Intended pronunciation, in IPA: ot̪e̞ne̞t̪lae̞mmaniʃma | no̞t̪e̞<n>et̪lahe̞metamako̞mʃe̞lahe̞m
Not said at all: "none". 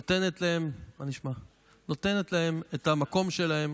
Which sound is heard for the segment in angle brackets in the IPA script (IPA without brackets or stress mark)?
n